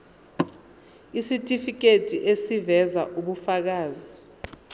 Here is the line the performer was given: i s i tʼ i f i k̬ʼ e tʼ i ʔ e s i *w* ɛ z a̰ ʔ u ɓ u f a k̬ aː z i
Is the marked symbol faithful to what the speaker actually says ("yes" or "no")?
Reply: no